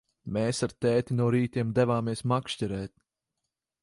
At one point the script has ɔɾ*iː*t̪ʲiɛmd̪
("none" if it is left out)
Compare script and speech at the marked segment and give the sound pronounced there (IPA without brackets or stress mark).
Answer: iː